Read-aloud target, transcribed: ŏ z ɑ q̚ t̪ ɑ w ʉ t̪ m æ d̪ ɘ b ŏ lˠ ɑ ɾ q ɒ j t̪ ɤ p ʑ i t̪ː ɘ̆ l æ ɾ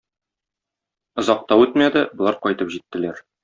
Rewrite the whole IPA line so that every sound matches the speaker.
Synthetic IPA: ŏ z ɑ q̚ t̪ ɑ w ʉ t̪ m æ d̪ ɘ b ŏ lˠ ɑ ɾ q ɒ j t̪ ɤ p ʑ i t̪ː ɘ̆ l æ ɾ

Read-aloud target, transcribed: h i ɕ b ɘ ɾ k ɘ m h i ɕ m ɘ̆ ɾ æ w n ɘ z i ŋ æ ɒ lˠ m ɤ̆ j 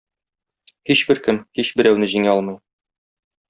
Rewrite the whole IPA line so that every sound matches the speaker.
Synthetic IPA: h i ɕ b ɘ ɾ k ɘ m h i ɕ b ɘ̆ ɾ æ w n ɘ ʑ i ŋ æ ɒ lˠ m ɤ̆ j

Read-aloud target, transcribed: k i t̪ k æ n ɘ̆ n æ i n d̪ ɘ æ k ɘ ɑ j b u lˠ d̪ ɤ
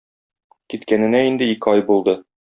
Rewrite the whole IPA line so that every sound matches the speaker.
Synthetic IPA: k i t̪ k æ n ɘ̆ n æ i n d̪ ɘ i k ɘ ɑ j b u lˠ d̪ ɤ

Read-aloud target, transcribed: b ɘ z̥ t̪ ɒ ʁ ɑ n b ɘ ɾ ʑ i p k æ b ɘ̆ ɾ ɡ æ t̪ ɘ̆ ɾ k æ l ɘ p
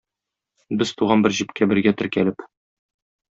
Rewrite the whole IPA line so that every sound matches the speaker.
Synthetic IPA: b ɘ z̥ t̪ u ʁ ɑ n b ɘ ɾ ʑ i p k æ b ɘ̆ ɾ ɡ æ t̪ ɘ̆ ɾ k æ l ɘ p

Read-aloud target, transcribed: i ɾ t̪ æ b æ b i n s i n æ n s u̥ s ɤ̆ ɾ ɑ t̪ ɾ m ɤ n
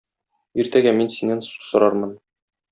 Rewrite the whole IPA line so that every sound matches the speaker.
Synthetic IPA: i ɾ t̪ æ ɡ æ m i n s i n æ n s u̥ s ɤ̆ ɾ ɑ ɾ m ɤ n

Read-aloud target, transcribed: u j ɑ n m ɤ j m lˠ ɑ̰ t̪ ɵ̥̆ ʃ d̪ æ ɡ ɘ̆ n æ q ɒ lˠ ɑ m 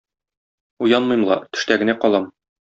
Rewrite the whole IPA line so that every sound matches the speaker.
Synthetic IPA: u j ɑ n m ɤ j m lˠ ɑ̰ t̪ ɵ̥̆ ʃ t̪ æ ɡ ɘ̆ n æ q ɒ lˠ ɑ m

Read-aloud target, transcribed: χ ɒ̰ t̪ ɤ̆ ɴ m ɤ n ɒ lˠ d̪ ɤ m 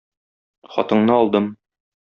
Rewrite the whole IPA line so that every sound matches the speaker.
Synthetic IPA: χ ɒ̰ t̪ ɤ̆ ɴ n ɤ ɒ lˠ d̪ ɤ m

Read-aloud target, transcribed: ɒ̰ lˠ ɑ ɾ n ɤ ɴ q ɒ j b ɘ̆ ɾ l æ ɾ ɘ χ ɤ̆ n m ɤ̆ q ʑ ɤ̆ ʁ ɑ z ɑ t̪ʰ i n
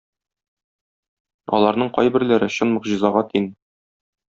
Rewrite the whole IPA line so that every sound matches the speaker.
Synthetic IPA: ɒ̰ lˠ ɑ ɾ n ɤ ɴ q ɒ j b ɘ̆ ɾ l æ ɾ ɘ ɕ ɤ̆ n m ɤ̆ q ʑ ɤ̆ z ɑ ʁ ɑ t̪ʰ i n

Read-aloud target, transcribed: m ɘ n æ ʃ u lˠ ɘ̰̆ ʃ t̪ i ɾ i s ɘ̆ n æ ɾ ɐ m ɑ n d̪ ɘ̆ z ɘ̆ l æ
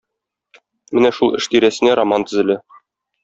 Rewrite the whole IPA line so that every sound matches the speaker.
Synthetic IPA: m ɘ n æ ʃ u lˠ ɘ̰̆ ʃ t̪ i ɾ æ s ɘ̆ n æ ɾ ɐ m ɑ n t̪ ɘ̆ z ɘ̆ l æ

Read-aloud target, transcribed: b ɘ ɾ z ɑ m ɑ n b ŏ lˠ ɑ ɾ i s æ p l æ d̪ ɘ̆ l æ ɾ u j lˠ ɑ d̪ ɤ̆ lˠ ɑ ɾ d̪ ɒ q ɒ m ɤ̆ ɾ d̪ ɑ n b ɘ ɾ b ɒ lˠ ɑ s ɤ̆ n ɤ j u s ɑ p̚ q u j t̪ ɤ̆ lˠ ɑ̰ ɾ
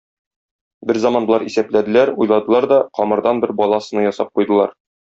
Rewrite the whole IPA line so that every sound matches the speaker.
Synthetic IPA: b ɘ ɾ z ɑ m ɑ n b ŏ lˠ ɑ ɾ i s æ p l æ d̪ ɘ̆ l æ ɾ u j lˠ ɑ d̪ ɤ̆ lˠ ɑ ɾ d̪ ɒ q ɒ m ɤ̆ ɾ d̪ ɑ n b ɘ ɾ b ɒ lˠ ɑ s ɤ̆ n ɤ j ɒ s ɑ p̚ q u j d̪ ɤ̆ lˠ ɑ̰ ɾ

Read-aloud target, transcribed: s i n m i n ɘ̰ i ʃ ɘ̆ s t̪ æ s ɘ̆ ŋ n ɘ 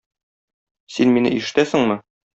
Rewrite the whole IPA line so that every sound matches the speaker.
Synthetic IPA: s i n m i n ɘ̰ i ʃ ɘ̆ t̪ æ s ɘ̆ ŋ m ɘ

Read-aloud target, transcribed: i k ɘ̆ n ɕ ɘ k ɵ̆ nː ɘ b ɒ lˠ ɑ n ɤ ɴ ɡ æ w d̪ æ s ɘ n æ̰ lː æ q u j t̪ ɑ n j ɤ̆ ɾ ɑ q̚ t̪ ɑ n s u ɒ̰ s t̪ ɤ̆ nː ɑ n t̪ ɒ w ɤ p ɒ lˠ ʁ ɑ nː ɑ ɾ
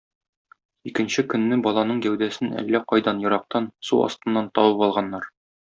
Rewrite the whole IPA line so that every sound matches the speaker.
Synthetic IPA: i k ɘ̆ n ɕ ɘ k ɵ̆ nː ɘ b ɒ lˠ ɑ n ɤ ɴ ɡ æ w d̪ æ s ɘ n æ̰ lː æ q ɒ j d̪ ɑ n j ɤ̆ ɾ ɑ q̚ t̪ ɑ n s u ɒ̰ s t̪ ɤ̆ nː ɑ n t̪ ɒ w ɤ p ɒ lˠ ʁ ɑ nː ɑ ɾ

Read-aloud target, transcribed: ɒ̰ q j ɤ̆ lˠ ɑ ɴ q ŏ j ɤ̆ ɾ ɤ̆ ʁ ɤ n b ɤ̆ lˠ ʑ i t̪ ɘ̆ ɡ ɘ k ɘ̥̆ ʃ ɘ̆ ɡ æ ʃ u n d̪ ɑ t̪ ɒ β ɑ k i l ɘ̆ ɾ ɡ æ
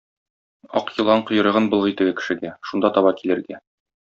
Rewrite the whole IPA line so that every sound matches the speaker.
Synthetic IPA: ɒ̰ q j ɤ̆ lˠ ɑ ɴ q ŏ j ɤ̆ ɾ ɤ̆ ʁ ɤ n b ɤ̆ lˠ ʁ i t̪ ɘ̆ ɡ ɘ k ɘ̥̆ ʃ ɘ̆ ɡ æ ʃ u n d̪ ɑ t̪ ɒ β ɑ k i l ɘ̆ ɾ ɡ æ

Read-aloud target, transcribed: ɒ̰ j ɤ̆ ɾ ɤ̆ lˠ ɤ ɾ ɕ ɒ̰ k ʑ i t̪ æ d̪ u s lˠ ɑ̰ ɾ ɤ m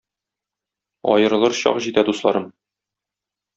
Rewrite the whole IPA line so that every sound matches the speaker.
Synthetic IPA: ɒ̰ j ɤ̆ ɾ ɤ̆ lˠ ɤ ɾ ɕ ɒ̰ q ʑ i t̪ æ d̪ u s lˠ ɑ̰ ɾ ɤ m

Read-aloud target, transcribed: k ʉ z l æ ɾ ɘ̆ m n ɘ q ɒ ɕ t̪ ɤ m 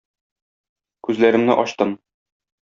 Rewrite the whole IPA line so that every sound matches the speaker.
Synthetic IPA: k ʉ z l æ ɾ ɘ̆ m n ɘ ʔ ɒ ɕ t̪ ɤ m

